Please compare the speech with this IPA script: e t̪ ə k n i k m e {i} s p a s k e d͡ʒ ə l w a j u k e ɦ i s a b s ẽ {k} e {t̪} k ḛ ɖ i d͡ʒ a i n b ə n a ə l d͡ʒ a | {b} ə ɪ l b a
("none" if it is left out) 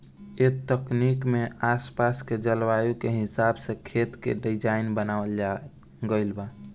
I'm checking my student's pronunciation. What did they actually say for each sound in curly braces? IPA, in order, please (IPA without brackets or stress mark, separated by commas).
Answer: a, kʰ, t̪, ɡ